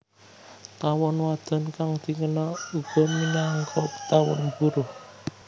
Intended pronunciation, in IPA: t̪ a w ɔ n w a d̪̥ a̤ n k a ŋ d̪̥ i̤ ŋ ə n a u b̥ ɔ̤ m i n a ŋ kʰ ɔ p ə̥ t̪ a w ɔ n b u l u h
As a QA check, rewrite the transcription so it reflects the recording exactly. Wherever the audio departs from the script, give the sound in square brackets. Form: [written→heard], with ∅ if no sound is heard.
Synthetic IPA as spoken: t̪ a w ɔ n w a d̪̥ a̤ n k a ŋ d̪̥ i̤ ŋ ə n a u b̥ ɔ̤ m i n a ŋ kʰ ɔ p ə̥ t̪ a w ɔ n b u [l→ɾ] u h